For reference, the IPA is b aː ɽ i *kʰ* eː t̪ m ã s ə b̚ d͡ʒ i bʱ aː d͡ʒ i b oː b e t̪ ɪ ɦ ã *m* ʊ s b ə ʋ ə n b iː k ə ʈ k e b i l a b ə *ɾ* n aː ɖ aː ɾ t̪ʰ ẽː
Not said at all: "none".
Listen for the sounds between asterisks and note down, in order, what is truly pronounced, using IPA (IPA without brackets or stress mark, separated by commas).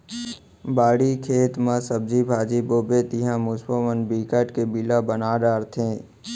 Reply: kʰ, m, none